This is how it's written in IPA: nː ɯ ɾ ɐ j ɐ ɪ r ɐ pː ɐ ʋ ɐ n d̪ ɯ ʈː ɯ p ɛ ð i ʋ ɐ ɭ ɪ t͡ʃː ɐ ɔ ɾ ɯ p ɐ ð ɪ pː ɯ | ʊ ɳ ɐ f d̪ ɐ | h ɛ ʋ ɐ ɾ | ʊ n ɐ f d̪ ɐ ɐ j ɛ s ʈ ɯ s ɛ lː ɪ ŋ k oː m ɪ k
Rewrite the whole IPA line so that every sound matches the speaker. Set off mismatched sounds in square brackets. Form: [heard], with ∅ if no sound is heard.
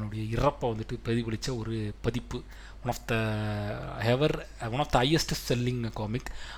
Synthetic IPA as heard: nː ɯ [ɽ] ɐ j ɐ ɪ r ɐ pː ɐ ʋ ɐ n d̪ ɯ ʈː ɯ p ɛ ð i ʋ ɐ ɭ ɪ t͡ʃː ɐ ɔ ɾ ɯ p ɐ ð ɪ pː ɯ | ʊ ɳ ɐ f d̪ ɐ | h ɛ ʋ ɐ ɾ | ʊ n ɐ f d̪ ɐ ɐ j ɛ s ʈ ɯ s ɛ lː ɪ ŋ k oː m ɪ k